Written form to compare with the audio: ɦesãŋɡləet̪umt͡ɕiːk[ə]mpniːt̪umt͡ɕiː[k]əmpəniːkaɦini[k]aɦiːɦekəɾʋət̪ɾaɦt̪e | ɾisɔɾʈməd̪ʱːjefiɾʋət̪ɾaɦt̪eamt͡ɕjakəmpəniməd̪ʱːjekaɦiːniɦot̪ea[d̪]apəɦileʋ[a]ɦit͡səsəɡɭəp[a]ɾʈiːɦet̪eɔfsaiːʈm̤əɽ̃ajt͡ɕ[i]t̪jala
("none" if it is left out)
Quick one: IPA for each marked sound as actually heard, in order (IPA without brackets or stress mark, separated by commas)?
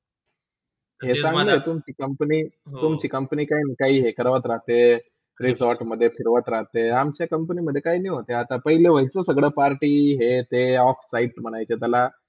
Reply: ə, k, k, t̪, ə, a, e